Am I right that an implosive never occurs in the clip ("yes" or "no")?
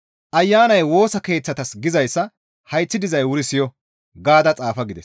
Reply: yes